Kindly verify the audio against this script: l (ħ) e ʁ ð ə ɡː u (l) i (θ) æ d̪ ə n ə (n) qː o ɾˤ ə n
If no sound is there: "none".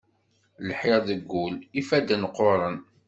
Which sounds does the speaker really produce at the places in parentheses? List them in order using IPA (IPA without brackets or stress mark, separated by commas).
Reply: ħ, l, f, none